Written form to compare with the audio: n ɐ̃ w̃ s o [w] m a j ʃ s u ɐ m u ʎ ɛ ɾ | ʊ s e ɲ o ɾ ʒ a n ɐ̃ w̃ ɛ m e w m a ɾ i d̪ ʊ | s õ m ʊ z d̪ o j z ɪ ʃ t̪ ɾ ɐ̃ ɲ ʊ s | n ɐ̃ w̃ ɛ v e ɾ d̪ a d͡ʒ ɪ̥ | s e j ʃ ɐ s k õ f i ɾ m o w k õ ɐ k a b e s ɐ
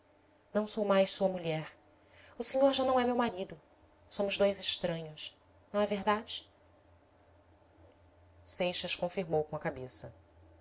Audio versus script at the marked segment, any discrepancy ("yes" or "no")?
no